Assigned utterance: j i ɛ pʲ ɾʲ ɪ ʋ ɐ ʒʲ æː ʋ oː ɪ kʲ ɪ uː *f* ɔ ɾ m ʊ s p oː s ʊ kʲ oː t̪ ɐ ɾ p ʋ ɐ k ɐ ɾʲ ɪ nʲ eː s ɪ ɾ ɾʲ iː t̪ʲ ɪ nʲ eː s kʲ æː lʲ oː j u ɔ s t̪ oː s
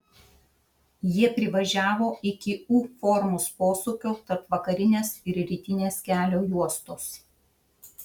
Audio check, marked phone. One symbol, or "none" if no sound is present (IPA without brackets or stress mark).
f